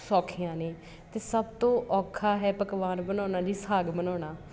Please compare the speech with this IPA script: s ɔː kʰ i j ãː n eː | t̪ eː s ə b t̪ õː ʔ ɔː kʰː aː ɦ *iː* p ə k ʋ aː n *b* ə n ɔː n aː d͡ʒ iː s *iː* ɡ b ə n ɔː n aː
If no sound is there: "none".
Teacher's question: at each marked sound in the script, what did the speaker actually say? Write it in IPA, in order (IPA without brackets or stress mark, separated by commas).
ɛː, b, aː